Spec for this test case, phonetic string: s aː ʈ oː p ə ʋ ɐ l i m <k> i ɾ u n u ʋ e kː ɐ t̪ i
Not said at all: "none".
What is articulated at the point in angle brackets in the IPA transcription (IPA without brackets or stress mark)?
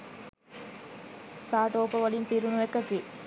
p